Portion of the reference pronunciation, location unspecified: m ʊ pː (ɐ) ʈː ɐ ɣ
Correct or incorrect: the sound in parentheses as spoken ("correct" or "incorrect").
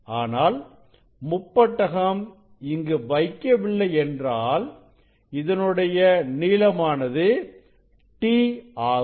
correct